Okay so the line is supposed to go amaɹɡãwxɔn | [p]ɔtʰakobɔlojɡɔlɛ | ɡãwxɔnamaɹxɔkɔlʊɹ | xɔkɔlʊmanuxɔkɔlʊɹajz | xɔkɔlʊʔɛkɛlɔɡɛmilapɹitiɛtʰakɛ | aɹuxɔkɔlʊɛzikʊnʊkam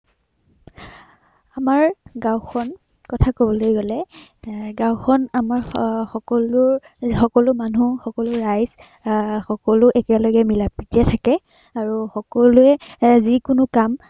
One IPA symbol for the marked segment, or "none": k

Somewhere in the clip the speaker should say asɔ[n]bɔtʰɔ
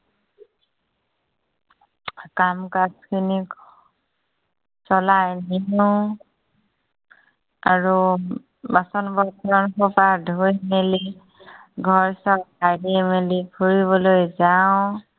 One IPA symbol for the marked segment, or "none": n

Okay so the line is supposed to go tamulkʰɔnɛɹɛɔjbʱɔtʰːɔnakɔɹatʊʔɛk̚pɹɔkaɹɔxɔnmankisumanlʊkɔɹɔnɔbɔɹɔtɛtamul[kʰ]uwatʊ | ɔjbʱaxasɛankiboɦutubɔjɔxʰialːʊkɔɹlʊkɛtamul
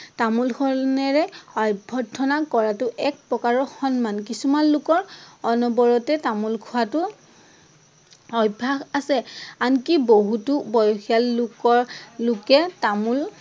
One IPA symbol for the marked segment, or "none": kʰ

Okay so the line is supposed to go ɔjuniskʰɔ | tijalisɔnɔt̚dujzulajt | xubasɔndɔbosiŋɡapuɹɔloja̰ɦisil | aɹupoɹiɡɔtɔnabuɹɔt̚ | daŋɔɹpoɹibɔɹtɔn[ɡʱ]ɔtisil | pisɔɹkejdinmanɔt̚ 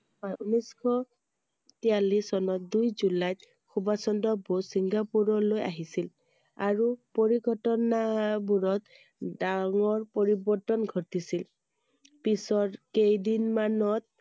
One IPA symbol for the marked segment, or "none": ɡʱ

